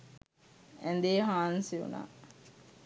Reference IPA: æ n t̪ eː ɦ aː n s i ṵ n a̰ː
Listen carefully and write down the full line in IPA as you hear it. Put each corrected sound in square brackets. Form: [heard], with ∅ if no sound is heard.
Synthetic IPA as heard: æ n [d̪] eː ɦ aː n s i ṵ n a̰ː